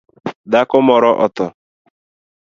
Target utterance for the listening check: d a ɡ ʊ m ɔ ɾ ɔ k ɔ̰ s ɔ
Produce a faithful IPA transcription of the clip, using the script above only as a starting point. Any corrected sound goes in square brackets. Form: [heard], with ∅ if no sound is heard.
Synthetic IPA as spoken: d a [k] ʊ m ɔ ɾ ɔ [ʔ] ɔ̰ [t] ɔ